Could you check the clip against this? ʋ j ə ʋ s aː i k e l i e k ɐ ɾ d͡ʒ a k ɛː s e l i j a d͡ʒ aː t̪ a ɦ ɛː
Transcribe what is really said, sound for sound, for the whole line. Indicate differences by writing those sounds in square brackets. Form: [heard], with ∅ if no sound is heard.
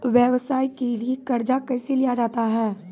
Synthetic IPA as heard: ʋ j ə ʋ s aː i k e l i e k ɐ ɾ d͡ʒ a k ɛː s e l i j a d͡ʒ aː t̪ a ɦ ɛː